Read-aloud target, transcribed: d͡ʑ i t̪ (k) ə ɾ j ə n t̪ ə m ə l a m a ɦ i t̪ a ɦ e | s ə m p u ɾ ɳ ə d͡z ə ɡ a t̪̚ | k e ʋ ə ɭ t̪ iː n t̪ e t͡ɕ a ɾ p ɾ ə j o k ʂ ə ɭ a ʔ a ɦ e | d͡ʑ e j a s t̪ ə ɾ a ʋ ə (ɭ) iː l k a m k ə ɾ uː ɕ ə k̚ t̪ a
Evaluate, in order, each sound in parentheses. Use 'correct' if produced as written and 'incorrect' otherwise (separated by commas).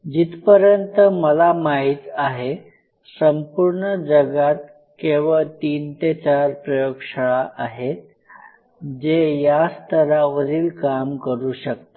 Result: incorrect, incorrect